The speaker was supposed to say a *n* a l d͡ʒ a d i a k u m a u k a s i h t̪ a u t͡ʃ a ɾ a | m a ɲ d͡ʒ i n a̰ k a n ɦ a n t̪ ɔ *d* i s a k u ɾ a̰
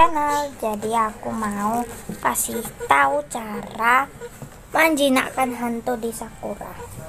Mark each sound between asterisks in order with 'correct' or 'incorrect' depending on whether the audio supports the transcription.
correct, correct

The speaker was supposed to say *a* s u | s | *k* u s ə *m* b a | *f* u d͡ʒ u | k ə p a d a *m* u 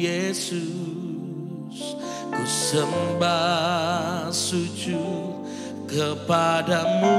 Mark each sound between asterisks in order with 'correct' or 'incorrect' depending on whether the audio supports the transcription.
incorrect: e, correct, correct, incorrect: s, correct

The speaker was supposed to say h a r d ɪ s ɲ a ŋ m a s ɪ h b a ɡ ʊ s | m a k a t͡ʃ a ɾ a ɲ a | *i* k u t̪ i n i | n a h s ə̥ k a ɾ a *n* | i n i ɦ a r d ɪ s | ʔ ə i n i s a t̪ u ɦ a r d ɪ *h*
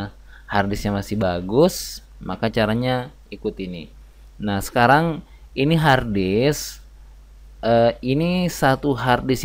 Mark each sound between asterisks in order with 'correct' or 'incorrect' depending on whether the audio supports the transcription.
correct, incorrect: ŋ, incorrect: s

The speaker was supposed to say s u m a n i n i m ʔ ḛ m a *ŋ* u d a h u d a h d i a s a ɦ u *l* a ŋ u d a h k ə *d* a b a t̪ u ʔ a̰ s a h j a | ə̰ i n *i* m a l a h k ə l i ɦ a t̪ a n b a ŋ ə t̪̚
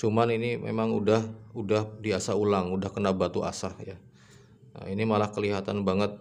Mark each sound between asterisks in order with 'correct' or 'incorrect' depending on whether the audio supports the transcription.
correct, correct, incorrect: n, correct

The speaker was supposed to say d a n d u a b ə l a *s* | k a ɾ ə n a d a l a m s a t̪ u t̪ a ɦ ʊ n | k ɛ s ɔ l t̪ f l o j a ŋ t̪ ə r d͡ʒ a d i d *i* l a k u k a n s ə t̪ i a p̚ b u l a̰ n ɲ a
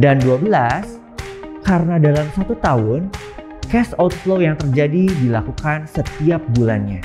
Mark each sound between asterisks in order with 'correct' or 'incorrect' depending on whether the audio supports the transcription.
correct, correct

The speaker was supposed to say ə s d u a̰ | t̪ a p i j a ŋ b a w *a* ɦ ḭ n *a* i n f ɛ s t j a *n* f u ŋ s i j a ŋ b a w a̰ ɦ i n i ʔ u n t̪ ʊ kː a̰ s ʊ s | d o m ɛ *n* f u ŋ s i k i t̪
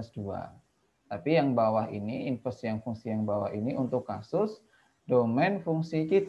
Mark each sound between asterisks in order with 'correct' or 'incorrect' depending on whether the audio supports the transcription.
correct, incorrect: i, incorrect: ŋ, correct

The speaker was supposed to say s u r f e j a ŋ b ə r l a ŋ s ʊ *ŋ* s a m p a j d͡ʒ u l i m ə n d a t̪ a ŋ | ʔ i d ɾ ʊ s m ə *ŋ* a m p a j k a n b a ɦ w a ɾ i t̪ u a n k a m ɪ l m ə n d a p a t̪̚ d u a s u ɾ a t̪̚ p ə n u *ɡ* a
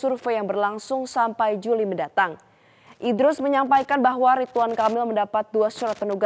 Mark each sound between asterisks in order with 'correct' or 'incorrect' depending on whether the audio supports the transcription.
correct, incorrect: ɲ, correct

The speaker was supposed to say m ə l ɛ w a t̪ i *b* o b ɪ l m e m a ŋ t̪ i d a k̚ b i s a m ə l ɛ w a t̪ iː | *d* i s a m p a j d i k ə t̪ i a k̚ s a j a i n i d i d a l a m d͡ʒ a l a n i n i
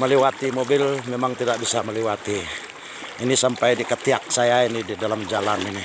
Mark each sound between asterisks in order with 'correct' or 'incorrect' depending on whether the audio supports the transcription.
incorrect: m, incorrect: n

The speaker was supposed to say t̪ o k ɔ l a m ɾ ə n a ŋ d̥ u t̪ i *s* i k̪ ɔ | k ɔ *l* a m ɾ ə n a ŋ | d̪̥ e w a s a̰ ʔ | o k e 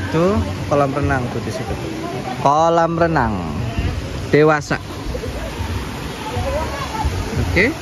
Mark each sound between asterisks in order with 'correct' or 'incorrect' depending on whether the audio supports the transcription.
correct, correct

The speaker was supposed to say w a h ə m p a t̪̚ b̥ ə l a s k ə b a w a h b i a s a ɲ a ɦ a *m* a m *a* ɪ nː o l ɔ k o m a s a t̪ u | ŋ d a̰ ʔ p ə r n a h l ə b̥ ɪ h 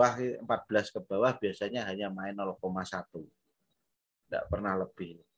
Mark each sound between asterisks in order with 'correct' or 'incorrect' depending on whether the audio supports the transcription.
incorrect: ɲ, correct

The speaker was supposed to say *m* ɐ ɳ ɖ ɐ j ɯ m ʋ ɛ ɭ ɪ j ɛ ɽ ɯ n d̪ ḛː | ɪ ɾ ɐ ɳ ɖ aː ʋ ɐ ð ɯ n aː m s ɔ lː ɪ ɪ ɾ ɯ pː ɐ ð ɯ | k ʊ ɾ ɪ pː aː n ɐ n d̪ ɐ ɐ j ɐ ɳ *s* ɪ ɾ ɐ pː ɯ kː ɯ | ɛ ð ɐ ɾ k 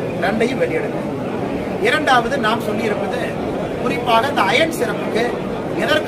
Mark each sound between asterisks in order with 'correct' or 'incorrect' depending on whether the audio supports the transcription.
incorrect: n, correct

